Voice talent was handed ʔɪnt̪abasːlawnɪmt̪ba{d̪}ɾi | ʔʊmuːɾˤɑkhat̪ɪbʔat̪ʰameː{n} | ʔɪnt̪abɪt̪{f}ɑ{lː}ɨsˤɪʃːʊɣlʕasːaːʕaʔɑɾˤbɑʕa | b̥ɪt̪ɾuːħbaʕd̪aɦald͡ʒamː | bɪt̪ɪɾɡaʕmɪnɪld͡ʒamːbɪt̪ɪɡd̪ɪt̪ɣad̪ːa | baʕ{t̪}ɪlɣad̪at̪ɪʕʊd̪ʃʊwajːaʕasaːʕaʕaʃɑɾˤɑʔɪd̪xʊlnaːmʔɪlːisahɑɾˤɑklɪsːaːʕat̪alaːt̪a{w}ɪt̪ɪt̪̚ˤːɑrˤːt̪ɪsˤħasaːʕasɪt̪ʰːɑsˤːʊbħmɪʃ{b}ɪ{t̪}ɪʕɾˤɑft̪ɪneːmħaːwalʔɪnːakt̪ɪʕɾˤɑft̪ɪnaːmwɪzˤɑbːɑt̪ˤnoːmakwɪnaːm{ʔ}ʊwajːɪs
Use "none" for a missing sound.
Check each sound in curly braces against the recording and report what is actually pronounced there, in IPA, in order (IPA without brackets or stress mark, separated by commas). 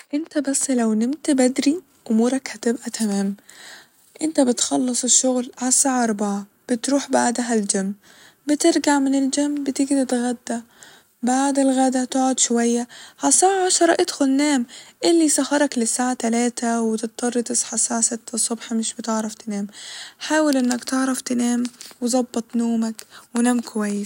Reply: d̪, m, x, lː, d̪, w, b, t̪, k